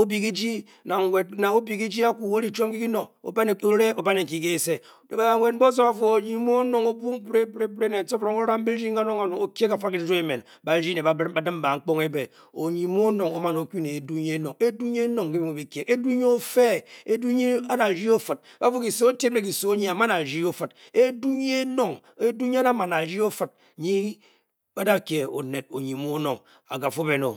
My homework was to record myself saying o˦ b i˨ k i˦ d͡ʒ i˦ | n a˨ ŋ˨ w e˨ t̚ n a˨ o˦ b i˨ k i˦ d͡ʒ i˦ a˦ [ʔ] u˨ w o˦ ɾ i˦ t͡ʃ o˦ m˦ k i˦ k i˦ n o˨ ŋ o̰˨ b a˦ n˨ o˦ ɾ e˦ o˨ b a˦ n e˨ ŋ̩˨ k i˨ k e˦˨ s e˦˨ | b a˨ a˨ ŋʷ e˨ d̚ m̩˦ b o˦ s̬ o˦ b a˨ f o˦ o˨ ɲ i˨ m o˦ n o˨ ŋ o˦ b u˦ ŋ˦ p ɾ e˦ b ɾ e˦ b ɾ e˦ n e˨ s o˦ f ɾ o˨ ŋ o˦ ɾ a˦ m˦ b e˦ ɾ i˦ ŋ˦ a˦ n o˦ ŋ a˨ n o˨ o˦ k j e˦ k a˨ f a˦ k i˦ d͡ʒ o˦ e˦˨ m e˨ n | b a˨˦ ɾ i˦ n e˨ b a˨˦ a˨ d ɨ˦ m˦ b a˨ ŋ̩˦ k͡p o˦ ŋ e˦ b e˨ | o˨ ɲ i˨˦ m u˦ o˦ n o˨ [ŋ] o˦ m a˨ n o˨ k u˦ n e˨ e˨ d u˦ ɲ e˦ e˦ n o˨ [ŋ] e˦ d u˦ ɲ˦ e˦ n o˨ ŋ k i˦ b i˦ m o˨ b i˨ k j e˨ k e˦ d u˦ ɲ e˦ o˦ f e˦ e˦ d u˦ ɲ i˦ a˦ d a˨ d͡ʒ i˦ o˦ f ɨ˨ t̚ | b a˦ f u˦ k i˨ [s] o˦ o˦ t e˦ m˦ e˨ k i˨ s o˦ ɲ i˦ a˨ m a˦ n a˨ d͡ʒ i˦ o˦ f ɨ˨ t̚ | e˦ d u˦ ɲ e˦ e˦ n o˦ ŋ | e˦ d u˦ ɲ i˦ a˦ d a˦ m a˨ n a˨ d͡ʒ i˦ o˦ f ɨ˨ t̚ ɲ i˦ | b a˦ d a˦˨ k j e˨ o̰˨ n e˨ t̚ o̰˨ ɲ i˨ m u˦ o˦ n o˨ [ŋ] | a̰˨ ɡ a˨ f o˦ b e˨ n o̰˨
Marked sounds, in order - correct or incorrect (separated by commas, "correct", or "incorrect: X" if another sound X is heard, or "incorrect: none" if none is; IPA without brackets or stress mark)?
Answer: incorrect: k, correct, correct, correct, correct